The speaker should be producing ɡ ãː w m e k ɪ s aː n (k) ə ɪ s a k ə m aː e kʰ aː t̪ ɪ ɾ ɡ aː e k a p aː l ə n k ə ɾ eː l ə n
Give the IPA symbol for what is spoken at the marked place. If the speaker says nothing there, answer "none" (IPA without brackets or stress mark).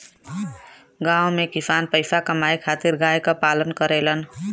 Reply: p